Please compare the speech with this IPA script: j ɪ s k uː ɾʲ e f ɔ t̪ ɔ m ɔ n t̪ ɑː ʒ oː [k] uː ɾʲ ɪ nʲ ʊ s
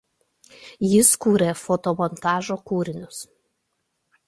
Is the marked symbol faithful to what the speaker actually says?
yes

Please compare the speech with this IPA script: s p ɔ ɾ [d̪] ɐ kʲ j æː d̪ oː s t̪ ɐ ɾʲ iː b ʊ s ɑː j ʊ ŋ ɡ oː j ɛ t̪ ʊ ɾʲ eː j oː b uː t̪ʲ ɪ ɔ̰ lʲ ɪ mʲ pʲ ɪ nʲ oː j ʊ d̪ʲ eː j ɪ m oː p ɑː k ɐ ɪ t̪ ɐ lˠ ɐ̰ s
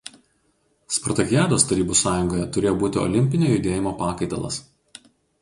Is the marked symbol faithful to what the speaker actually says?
no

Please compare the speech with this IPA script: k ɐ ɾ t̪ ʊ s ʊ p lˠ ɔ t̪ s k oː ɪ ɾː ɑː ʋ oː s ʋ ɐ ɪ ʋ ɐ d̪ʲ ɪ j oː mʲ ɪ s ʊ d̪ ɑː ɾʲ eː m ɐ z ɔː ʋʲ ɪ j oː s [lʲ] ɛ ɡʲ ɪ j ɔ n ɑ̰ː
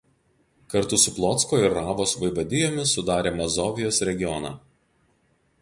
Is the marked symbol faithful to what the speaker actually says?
no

